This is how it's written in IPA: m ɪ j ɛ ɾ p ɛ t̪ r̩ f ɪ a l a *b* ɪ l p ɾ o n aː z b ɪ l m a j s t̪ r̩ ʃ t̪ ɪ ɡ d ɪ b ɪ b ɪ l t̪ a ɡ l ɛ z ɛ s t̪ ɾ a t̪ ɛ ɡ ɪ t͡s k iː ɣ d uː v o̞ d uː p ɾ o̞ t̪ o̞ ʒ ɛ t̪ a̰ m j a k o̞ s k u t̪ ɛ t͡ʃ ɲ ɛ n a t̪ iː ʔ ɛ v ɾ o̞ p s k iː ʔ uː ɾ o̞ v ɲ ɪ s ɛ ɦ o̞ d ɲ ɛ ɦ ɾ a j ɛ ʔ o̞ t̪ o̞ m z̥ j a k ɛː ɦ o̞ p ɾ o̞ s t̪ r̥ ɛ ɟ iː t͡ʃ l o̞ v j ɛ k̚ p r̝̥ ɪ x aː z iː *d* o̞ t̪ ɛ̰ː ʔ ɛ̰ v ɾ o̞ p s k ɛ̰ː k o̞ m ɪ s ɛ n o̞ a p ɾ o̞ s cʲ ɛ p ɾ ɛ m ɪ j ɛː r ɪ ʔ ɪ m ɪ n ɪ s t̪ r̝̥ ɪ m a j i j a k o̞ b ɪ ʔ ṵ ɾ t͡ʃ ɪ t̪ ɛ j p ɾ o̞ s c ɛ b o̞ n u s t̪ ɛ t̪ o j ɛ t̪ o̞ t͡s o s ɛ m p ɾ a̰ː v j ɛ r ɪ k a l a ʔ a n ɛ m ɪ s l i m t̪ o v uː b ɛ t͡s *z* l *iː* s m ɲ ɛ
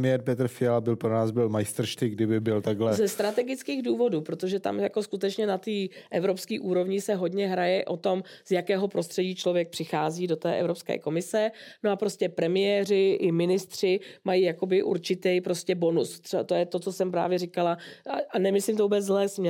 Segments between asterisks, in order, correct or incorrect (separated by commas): correct, correct, correct, incorrect